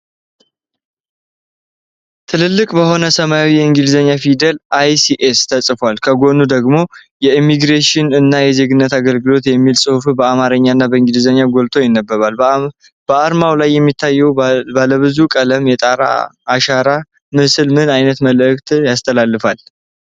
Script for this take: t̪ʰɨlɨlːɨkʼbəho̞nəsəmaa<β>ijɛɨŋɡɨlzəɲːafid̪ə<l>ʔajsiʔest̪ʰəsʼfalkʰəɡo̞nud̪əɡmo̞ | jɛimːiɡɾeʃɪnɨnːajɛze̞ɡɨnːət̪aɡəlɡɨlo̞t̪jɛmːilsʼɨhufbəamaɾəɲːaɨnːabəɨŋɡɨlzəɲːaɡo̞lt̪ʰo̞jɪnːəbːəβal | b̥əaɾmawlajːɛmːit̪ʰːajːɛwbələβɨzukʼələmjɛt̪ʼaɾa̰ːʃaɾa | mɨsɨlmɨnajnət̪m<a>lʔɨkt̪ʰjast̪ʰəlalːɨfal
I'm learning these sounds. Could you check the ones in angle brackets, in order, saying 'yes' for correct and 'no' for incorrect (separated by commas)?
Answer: no, yes, no